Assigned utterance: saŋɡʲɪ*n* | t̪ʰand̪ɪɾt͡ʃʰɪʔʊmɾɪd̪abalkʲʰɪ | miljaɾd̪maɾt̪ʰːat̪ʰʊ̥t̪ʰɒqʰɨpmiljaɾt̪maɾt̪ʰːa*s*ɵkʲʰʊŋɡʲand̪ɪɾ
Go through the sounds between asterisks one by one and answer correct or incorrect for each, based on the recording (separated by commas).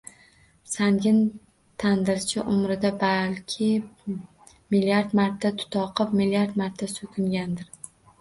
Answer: correct, correct